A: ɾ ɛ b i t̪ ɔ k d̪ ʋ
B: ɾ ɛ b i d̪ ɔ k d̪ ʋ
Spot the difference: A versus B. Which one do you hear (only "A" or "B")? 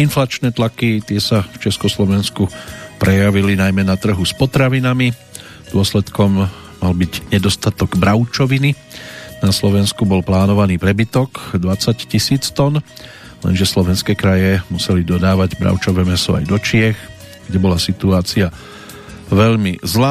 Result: A